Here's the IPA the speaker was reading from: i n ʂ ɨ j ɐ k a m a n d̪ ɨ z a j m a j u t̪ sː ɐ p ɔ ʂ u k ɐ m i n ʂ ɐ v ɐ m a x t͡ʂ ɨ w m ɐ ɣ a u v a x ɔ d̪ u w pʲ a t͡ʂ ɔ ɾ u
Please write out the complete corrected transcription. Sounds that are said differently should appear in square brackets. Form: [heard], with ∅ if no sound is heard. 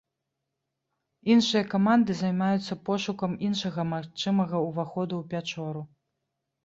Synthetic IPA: i n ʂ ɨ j ɐ k a m a n d̪ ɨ z a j m a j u t̪ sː ɐ p ɔ ʂ u k ɐ m i n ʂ ɐ [ɣ] ɐ m a x t͡ʂ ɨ [∅] m ɐ ɣ [ɐ] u v a x ɔ d̪ u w pʲ a t͡ʂ ɔ ɾ u